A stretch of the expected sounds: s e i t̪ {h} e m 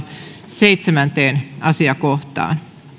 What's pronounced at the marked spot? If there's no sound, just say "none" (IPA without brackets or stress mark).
s